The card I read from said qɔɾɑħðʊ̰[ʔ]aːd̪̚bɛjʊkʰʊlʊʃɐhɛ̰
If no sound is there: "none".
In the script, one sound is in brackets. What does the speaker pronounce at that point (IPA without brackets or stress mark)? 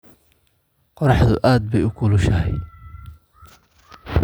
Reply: ʔ